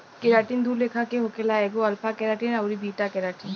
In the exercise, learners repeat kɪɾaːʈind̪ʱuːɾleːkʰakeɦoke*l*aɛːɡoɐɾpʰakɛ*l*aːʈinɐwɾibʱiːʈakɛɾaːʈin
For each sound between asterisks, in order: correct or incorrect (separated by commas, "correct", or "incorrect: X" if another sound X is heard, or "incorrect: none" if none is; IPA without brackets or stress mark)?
correct, incorrect: ɾ